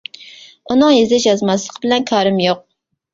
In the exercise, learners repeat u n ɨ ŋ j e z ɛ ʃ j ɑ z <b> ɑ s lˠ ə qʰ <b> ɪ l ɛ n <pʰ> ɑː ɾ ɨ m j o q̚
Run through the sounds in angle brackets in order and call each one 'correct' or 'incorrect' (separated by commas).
incorrect, correct, incorrect